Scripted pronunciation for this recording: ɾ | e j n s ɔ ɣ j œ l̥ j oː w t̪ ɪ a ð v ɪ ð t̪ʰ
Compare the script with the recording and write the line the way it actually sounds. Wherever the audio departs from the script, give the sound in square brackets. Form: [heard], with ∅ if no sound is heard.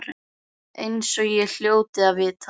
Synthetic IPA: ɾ | e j n s ɔ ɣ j [ɛ] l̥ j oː w t̪ ɪ a ð v ɪ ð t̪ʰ

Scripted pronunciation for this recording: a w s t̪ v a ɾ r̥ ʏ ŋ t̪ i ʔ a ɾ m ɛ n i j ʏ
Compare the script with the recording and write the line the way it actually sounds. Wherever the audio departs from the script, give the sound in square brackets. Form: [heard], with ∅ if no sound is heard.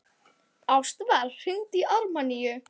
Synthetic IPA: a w s t̪ v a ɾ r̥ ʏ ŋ t̪ i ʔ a ɾ m [a] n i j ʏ

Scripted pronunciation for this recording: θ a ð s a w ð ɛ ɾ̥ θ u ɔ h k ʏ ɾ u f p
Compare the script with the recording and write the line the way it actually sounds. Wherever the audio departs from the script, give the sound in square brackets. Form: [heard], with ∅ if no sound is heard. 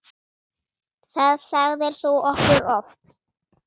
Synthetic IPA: θ a ð s a [ɣ] ð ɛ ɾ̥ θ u ɔ h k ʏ ɾ [ɔ] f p

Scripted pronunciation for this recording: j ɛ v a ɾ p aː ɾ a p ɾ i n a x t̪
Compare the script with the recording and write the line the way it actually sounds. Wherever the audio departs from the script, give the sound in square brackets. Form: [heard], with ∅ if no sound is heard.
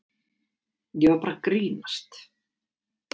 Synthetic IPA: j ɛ v a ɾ p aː ɾ a [k] ɾ [iː] n a [s] t̪

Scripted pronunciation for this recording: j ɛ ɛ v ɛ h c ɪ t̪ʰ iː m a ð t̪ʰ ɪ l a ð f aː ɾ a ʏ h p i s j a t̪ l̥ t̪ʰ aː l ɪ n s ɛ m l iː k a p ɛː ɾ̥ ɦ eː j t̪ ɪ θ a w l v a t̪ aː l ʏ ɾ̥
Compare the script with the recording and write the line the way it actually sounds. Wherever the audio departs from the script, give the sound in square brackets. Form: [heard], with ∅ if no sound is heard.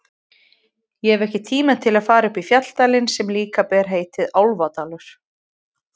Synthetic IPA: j ɛ ɛ v ɛ h c ɪ t̪ʰ iː m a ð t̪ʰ ɪ l a ð f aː ɾ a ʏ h p i [f] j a t̪ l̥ [t̪] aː l ɪ n s ɛ m l iː k a p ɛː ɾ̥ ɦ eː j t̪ ɪ [ð] a w l v a t̪ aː l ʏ ɾ̥

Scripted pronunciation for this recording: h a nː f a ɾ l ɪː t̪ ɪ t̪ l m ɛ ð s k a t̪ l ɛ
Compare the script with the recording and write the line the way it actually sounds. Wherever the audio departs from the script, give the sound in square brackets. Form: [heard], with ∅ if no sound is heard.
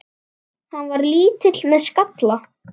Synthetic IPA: h a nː [v] a ɾ l [iː] t̪ ɪ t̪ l m ɛ ð s k a t̪ l [a]

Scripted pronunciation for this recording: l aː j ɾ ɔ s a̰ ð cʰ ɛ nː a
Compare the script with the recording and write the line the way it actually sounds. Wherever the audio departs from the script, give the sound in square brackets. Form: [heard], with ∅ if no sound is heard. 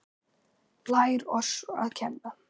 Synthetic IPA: l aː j ɾ ɔ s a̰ ð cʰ ɛ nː a

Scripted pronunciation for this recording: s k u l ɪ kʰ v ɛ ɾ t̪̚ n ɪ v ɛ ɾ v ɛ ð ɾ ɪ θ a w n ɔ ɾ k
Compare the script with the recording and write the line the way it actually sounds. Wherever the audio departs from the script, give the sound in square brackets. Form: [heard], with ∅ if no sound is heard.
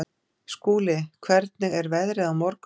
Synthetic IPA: s k [uː] l ɪ kʰ v ɛ ɾ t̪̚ n ɪ [ɣ] ɛ ɾ v ɛ ð ɾ ɪ [ð] a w [m] ɔ ɾ k

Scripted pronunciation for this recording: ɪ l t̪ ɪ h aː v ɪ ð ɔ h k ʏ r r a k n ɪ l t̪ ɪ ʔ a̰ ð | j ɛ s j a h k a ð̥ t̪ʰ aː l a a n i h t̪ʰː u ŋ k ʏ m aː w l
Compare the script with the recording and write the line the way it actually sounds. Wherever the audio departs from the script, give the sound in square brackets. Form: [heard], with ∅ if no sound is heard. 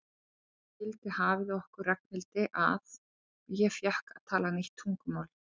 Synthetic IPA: ɪ l t̪ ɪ h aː v ɪ ð ɔ h k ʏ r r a k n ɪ l t̪ ɪ ʔ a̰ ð | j ɛ [f] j a h k a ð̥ t̪ʰ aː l a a n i h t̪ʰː u ŋ k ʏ m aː w l

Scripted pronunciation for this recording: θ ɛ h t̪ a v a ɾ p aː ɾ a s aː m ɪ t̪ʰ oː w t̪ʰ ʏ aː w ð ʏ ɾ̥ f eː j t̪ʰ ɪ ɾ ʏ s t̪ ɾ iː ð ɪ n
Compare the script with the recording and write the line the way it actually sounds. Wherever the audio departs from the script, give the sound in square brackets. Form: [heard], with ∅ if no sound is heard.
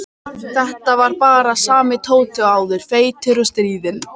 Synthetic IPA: θ ɛ h t̪ a v a ɾ p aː ɾ a s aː m ɪ t̪ʰ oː w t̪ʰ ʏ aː w ð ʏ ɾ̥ f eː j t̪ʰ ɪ ɾ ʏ s t̪ ɾ iː ð ɪ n

